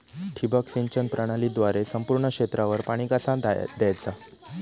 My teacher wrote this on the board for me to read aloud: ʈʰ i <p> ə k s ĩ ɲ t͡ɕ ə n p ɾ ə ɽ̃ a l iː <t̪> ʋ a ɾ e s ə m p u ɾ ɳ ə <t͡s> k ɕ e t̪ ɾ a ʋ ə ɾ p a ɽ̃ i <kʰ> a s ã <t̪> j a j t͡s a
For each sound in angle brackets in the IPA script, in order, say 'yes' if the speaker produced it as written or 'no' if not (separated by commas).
no, no, no, no, no